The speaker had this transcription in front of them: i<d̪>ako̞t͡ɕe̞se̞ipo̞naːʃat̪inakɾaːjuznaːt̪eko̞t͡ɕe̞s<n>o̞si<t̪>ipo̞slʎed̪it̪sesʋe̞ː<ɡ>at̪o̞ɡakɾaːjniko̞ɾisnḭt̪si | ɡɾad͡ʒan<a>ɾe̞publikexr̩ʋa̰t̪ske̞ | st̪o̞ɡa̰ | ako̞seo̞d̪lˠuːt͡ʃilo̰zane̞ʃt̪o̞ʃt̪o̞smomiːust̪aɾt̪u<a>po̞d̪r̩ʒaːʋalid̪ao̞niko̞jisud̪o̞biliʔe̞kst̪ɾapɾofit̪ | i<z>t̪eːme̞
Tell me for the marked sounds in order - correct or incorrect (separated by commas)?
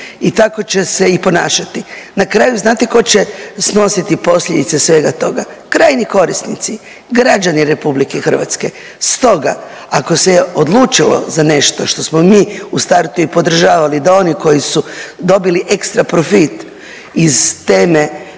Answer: incorrect, correct, correct, correct, incorrect, incorrect, correct